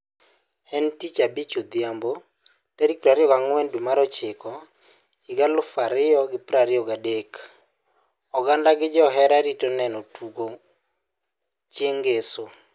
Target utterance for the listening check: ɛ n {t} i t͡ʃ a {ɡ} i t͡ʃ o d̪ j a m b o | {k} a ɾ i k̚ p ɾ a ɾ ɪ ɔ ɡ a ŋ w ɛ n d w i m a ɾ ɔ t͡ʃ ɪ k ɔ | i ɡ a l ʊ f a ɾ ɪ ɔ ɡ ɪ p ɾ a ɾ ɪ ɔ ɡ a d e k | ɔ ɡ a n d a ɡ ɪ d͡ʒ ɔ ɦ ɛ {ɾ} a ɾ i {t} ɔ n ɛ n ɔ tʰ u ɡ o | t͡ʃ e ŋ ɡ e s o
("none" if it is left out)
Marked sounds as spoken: t, b, t, ɾ, t

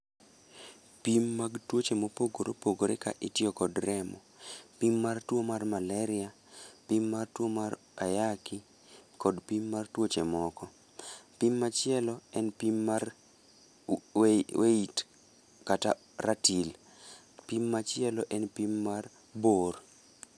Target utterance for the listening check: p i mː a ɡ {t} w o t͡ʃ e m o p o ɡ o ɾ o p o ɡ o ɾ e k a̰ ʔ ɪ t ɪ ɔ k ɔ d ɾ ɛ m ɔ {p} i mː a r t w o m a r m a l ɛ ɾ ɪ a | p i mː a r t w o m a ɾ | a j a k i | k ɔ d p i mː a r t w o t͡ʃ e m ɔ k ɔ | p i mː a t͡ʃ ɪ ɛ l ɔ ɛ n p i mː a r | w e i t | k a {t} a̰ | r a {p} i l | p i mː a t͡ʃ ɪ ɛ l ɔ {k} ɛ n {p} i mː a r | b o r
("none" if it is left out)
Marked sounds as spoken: t, p, t, t, ʔ, p

